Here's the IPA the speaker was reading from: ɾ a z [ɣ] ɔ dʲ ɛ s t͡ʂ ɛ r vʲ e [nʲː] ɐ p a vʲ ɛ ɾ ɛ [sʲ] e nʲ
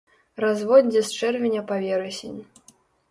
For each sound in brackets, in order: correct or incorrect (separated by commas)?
incorrect, incorrect, correct